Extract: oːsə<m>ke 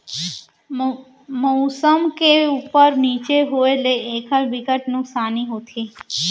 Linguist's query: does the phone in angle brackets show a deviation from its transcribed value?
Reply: no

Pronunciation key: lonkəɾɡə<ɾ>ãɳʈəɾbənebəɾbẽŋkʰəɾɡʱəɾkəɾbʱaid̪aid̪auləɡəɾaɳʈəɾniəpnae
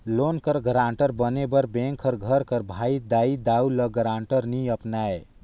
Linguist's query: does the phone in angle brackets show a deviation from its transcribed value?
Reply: no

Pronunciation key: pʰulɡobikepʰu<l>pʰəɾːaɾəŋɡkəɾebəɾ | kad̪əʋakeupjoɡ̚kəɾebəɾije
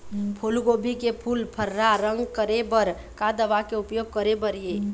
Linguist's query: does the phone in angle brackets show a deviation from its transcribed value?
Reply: no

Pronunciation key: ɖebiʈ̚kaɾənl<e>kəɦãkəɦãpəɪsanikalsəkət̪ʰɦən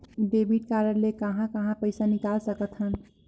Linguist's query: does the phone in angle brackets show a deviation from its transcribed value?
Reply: no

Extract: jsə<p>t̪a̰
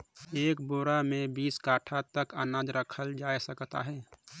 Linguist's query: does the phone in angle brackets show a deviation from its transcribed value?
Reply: yes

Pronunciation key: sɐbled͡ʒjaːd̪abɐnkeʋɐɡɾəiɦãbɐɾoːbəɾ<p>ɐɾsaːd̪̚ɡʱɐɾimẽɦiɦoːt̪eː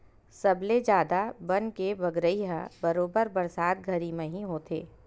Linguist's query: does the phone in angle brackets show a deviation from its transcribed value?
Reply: yes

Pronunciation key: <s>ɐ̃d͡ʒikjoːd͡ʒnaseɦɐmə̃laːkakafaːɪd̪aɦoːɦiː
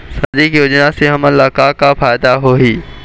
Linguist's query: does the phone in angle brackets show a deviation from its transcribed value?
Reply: no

